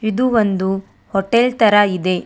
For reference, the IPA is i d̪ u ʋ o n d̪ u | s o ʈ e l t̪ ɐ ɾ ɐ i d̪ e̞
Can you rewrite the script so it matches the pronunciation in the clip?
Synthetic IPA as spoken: i d̪ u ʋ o n d̪ u | h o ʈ e l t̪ ɐ ɾ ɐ i d̪ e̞